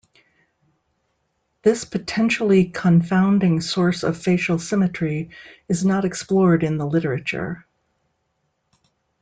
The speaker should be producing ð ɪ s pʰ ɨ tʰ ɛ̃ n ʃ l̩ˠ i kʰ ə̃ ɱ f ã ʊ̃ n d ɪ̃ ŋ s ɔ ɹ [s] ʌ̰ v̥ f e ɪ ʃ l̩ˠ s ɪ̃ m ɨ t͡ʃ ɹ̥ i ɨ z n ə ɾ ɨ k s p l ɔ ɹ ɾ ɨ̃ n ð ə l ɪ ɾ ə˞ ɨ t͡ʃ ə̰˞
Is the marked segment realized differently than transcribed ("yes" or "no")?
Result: no